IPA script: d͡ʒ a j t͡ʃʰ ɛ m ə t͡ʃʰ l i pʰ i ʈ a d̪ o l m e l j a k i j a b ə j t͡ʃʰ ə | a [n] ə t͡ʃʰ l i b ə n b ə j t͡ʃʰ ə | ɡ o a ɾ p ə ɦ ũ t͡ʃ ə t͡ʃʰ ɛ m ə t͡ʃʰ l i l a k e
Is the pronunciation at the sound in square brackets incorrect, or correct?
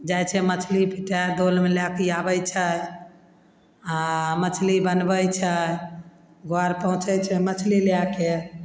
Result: incorrect